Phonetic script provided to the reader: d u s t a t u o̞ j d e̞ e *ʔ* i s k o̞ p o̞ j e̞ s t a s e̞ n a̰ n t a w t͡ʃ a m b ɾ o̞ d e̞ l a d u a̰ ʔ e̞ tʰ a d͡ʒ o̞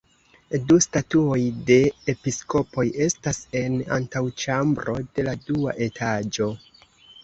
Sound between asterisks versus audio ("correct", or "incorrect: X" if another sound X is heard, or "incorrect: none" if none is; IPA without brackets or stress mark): incorrect: p